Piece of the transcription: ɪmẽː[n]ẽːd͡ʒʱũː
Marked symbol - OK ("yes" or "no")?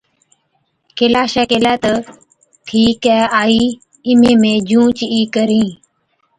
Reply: no